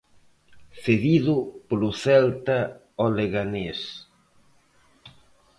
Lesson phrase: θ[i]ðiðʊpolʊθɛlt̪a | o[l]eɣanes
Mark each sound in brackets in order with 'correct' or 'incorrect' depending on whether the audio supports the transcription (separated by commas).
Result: incorrect, correct